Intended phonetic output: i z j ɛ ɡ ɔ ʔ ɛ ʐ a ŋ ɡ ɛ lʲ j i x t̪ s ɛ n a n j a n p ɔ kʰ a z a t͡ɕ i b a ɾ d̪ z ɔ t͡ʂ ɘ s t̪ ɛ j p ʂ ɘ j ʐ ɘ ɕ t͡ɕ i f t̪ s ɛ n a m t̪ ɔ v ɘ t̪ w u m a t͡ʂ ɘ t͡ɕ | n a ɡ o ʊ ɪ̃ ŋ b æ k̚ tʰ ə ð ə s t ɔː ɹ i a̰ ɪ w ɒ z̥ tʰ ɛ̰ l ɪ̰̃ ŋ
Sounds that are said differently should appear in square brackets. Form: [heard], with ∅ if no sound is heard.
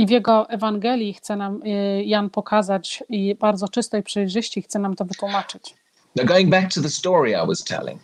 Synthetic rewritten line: i [v] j ɛ ɡ ɔ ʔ ɛ [v] a ŋ ɡ ɛ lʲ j i x t̪ s ɛ n a [m] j a n p ɔ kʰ a z a t͡ɕ i b a ɾ d̪ z ɔ t͡ʂ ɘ s t̪ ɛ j p ʂ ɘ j ʐ ɘ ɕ t͡ɕ i [x] t̪ s ɛ n a m t̪ ɔ v ɘ t̪ w u m a t͡ʂ ɘ t͡ɕ | n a ɡ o ʊ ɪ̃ ŋ b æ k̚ tʰ ə ð ə s t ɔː ɹ i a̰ ɪ w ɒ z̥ tʰ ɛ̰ l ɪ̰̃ ŋ